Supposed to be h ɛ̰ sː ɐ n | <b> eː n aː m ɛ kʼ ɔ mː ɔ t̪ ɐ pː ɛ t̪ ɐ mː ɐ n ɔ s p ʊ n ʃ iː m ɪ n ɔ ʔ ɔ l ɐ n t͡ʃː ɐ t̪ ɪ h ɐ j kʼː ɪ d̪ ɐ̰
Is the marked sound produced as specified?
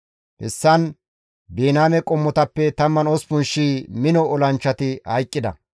yes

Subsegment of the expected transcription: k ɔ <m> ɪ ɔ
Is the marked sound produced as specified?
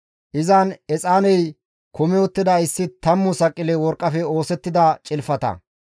yes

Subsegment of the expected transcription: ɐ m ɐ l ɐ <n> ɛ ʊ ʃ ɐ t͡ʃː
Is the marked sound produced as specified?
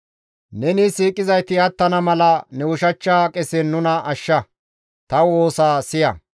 yes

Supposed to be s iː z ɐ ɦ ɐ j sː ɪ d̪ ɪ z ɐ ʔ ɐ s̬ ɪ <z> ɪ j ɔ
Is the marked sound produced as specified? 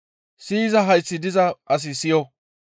no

